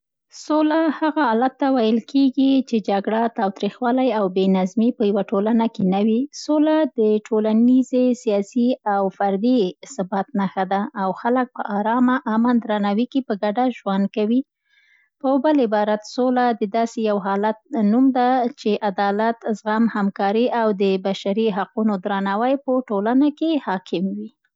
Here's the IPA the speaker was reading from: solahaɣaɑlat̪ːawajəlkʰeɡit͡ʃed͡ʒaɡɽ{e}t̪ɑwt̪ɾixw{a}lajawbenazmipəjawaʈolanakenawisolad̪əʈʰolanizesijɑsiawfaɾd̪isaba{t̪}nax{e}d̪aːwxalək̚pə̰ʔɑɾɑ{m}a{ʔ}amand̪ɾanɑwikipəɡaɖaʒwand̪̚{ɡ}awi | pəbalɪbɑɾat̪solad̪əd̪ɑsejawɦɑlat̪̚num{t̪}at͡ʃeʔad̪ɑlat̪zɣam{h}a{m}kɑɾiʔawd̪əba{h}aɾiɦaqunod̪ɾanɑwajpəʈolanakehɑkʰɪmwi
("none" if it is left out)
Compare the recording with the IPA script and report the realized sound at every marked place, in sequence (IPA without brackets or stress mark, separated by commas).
a, ɑ, t̪, a, m, ʔ, k, d̪, h, m, ʃ